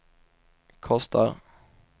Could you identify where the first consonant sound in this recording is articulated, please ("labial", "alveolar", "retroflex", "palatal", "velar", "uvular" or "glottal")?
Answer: velar